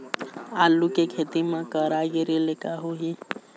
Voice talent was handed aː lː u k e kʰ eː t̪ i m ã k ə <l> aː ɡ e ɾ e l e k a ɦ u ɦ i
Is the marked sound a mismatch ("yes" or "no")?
yes